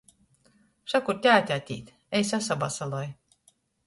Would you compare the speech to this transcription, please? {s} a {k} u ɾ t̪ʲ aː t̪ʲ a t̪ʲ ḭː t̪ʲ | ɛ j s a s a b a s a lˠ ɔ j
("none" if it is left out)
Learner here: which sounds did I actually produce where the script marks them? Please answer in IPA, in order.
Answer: ʃ, k

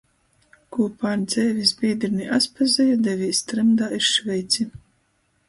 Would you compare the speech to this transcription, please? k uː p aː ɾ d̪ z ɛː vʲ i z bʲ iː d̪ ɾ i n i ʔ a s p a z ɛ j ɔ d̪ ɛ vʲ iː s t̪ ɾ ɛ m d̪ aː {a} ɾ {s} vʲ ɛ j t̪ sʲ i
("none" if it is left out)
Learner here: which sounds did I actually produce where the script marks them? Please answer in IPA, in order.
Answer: i, ʃ

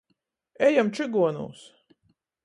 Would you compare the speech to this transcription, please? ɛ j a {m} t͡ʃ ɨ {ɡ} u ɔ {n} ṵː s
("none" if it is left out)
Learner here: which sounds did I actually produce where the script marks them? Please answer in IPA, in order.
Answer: m, ɡ, n

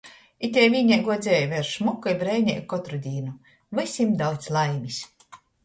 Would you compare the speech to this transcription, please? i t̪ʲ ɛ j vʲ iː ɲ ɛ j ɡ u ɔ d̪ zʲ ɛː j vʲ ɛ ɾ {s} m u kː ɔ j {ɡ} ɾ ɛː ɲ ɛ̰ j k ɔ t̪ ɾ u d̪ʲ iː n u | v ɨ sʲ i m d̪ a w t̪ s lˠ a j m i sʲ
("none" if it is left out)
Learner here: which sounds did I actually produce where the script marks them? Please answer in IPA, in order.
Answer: ʃ, b

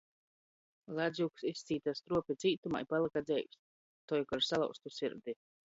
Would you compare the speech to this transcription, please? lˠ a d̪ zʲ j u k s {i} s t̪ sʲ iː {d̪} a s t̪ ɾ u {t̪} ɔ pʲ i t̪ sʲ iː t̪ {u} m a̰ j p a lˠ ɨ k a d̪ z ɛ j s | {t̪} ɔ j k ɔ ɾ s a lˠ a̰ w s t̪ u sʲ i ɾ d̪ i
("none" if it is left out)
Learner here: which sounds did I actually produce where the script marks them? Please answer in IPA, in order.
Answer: i, t̪, none, u, t̪

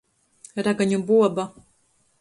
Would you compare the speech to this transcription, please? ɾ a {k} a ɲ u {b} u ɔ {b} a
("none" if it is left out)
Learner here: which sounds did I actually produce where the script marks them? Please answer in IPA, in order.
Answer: ɡ, b, b

